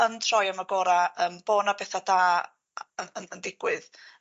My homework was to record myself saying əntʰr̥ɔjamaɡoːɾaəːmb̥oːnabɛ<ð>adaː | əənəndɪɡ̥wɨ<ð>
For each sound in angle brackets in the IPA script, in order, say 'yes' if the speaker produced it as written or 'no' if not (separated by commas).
no, yes